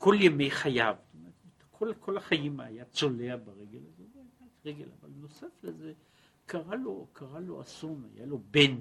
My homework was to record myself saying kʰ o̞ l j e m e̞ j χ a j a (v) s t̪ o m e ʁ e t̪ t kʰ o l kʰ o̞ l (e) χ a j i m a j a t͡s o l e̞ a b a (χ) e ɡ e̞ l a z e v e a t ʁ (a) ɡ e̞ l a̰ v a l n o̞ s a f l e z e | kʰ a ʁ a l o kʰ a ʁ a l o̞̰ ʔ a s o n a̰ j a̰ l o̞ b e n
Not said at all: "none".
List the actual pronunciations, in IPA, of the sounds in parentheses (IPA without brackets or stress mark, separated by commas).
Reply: v, a, ʁ, e